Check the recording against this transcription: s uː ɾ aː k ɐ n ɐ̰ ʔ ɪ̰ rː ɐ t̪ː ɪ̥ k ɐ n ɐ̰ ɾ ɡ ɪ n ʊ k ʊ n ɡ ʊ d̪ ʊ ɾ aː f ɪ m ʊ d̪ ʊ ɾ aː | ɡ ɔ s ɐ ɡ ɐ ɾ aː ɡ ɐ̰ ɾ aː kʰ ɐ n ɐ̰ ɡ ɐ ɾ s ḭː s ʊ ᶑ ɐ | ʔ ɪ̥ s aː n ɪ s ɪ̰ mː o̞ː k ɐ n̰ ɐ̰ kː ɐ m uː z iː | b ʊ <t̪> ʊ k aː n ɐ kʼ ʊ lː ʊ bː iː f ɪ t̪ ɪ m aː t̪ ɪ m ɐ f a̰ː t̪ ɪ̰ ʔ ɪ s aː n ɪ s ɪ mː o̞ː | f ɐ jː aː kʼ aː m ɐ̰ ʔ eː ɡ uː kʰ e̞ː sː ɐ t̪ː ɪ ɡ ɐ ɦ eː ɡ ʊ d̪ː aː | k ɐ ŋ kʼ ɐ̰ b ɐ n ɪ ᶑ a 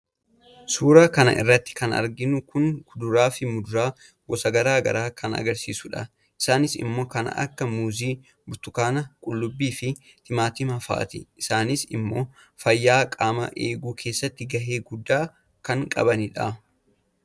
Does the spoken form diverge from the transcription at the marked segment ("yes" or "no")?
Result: no